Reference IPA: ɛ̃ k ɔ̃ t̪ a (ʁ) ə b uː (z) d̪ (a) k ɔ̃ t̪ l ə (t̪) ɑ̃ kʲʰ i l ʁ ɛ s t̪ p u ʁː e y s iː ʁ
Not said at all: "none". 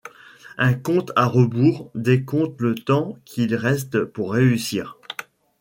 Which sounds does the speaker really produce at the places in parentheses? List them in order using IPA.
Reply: ʁ, ʁ, e, t̪

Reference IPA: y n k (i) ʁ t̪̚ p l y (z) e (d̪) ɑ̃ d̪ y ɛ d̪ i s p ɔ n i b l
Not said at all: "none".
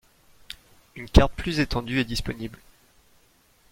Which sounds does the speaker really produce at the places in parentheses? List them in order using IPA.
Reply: a, z, t̪

